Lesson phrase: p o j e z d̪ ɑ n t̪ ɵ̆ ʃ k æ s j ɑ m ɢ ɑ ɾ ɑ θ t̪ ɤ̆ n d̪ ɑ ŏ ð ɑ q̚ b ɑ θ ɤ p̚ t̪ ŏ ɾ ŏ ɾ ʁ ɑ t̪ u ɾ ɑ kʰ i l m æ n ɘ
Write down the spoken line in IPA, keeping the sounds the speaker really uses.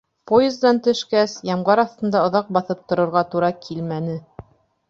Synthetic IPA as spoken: p o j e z d̪ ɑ n t̪ ɵ̆ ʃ k æ s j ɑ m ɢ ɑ ɾ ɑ θ t̪ ɤ̆ n d̪ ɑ ŏ ð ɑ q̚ b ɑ θ ɤ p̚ t̪ ŏ ɾ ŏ ɾ ʁ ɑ t̪ u ɾ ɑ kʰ i l m æ n ɘ